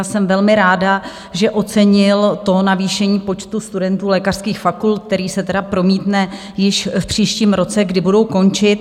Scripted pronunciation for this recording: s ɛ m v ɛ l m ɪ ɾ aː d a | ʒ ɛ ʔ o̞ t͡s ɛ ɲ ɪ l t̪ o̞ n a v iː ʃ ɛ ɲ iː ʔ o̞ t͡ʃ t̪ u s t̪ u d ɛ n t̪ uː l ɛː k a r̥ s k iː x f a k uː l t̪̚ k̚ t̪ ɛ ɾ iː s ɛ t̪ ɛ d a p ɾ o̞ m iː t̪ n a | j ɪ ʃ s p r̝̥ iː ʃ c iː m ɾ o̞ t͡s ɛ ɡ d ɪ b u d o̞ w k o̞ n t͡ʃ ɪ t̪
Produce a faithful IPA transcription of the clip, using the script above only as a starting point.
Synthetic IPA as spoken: s ɛ m v ɛ l m ɪ ɾ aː d a | ʒ ɛ ʔ o̞ t͡s ɛ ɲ ɪ l t̪ o̞ n a v iː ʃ ɛ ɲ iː p o̞ t͡ʃ t̪ u s t̪ u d ɛ n t̪ uː l ɛː k a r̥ s k iː x f a k u l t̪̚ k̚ t̪ ɛ ɾ iː s ɛ t̪ ɛ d a p ɾ o̞ m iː t̪ n ɛ | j ɪ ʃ f p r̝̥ iː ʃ c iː m ɾ o̞ t͡s ɛ ɡ d ɪ b u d o̞ w k o̞ n t͡ʃ ɪ t̪